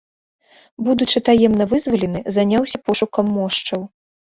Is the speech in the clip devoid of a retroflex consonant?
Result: no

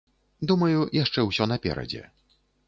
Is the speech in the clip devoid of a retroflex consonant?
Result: no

